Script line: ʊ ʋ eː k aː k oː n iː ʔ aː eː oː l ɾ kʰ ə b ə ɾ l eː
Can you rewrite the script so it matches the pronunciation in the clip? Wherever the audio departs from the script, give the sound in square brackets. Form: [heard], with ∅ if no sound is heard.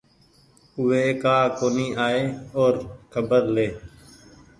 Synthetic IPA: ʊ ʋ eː k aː k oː n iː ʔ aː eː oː [∅] ɾ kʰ ə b ə ɾ l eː